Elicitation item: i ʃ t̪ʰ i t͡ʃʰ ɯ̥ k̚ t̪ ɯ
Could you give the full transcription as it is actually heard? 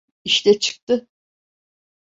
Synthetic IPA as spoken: i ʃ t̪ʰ ɛ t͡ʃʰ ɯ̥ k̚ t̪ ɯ